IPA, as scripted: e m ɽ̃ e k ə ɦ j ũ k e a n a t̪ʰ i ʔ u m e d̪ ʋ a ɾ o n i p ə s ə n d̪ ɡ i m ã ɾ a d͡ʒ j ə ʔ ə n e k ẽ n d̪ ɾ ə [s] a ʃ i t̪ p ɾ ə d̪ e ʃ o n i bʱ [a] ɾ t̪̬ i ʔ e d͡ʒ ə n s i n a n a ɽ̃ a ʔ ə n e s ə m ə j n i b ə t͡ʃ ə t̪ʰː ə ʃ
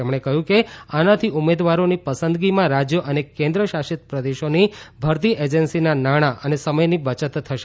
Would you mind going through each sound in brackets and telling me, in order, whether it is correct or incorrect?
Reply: incorrect: ʃ, incorrect: ə

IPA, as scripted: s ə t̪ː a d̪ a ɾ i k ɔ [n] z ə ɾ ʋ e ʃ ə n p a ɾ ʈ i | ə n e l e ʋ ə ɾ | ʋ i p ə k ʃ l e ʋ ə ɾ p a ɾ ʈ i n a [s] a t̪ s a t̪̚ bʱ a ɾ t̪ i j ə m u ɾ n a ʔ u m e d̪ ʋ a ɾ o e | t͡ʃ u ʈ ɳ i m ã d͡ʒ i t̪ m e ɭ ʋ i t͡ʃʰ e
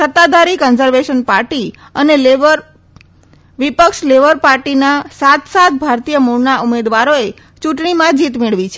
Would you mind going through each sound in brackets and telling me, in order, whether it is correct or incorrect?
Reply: correct, correct

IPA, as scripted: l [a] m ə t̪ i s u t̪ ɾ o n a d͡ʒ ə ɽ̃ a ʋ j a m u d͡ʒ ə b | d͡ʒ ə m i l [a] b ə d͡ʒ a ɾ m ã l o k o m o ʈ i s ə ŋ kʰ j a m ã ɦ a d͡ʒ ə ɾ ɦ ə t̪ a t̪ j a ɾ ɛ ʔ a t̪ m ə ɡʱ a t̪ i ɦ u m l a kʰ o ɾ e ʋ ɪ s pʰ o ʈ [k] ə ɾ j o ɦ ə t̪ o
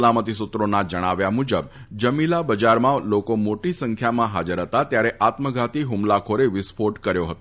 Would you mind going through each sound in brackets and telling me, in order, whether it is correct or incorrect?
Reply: correct, correct, correct

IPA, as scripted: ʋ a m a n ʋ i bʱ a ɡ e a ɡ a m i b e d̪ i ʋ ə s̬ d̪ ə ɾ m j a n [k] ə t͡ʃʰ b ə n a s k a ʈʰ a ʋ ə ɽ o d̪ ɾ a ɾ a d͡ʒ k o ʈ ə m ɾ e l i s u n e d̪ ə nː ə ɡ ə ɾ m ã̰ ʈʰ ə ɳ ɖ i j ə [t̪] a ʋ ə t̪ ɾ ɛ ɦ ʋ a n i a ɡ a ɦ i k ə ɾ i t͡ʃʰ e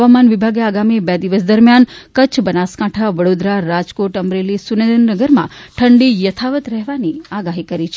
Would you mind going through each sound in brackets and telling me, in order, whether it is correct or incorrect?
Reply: correct, incorrect: t̪ʰ

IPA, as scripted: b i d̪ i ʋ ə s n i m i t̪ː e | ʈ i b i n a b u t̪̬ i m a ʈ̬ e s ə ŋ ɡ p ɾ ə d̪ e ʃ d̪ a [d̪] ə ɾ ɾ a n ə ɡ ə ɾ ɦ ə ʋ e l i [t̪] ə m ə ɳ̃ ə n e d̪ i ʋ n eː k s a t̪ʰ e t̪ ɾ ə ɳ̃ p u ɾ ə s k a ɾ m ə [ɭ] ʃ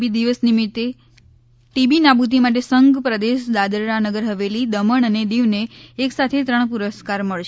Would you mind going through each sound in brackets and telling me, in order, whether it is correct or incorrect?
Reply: correct, incorrect: d̪, correct

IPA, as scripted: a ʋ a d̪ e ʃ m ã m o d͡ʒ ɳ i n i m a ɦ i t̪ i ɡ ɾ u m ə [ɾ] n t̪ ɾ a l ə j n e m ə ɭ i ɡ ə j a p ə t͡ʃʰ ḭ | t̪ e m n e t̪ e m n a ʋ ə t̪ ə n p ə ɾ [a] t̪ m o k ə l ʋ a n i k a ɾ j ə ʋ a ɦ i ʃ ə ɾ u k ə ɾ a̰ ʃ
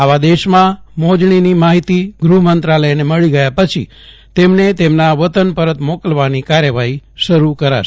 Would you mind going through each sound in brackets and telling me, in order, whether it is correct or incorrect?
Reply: incorrect: none, incorrect: ə

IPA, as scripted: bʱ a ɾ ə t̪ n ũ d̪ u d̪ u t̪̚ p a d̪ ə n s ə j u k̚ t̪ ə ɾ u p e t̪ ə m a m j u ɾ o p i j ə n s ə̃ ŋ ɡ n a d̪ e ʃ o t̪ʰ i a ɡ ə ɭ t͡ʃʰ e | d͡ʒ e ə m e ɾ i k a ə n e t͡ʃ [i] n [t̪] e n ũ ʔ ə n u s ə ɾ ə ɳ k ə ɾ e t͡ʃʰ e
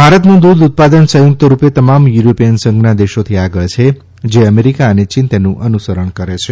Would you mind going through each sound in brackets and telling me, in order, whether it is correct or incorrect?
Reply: correct, correct

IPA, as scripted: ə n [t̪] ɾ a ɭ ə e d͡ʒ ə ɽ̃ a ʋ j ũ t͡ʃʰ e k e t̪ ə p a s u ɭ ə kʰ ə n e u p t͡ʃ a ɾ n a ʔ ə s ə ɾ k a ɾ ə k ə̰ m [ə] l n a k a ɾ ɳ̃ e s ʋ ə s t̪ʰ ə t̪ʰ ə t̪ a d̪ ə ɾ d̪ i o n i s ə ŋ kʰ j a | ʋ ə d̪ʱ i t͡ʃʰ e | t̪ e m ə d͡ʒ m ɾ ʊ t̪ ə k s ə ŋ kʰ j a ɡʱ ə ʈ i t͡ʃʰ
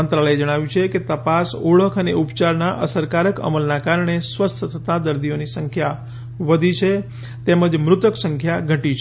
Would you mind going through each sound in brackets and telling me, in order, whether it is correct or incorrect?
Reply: correct, correct

